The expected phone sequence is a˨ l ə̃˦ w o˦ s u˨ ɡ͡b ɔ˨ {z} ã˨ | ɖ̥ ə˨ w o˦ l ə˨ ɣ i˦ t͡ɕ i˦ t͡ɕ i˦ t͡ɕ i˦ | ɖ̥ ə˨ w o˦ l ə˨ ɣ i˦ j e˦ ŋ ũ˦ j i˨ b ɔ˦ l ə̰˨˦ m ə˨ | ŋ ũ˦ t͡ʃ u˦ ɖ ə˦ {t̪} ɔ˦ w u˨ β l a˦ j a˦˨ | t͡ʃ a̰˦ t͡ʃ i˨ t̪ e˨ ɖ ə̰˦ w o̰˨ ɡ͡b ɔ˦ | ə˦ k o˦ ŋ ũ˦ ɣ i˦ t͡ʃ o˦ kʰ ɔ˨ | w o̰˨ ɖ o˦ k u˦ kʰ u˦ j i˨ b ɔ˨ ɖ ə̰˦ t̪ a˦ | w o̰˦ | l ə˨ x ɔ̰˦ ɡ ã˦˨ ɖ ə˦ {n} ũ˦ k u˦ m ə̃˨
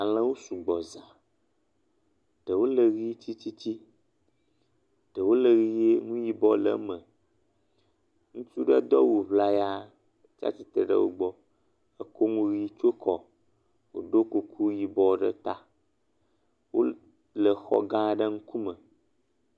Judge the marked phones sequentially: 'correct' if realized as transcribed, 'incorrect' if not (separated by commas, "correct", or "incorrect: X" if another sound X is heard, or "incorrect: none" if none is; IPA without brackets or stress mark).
correct, incorrect: d̪, incorrect: ŋ